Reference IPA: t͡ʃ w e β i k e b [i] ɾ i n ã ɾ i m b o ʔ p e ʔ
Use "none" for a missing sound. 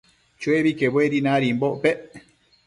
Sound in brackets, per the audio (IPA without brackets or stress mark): e